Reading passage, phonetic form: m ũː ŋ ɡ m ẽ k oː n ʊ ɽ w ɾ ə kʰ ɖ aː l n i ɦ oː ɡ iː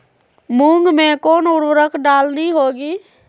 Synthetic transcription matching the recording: m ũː ŋ ɡ m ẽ k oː n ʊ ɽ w ɾ ə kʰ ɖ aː l n i ɦ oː ɡ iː

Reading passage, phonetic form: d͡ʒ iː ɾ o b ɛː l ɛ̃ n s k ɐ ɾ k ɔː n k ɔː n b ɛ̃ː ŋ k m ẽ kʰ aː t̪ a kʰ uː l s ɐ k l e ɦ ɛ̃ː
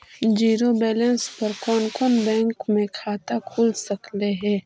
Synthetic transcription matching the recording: d͡ʒ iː ɾ o b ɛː l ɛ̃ n s p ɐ ɾ k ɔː n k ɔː n b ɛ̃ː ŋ k m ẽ kʰ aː t̪ a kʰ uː l s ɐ k l e ɦ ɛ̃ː

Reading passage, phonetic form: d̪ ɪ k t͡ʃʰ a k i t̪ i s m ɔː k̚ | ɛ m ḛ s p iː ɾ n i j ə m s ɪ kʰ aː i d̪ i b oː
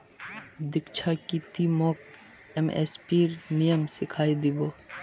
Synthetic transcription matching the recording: d̪ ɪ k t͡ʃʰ a k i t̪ i m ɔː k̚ | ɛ m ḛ s p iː ɾ n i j ə m s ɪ kʰ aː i d̪ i b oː

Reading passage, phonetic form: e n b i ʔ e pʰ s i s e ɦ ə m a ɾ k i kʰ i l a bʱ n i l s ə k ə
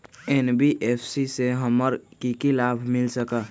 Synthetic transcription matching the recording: e n b i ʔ e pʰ s i s e ɦ ə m ə ɾ k i k i l a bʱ m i l s ə k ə

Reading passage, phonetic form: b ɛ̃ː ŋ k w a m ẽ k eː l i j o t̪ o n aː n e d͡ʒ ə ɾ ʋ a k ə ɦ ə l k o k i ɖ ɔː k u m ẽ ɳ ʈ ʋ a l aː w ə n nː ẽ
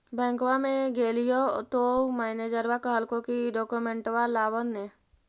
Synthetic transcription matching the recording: b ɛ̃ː ŋ k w a m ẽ ɡ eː l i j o t̪ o m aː n e d͡ʒ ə ɾ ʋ a k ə ɦ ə l k o k i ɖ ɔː k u m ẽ ɳ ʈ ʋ a l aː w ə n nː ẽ

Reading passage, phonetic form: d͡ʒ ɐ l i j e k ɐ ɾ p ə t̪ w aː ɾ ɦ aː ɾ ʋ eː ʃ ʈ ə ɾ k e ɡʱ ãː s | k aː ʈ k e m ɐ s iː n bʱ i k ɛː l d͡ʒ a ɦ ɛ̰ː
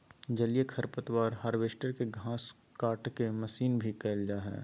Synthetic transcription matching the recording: d͡ʒ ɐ l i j e kʰ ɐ ɾ p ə t̪ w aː ɾ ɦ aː ɾ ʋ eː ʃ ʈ ə ɾ k e ɡʱ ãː s | k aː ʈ k e m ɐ s iː n bʱ i k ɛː l d͡ʒ a ɦ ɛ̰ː

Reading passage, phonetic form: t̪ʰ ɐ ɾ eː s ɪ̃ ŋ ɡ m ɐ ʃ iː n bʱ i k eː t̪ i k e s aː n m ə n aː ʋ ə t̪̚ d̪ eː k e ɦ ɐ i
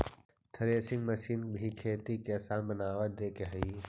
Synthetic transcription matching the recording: t̪ʰ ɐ ɾ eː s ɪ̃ ŋ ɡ m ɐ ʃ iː n bʱ i kʰ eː t̪ i k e s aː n b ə n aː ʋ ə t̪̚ d̪ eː k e ɦ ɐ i

